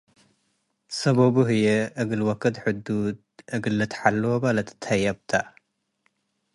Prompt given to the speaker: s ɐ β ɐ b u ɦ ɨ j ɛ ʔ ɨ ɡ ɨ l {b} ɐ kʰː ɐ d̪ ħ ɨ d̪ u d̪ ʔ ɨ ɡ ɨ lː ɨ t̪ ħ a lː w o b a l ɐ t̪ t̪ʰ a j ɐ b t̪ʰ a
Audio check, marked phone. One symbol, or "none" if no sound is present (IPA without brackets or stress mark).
w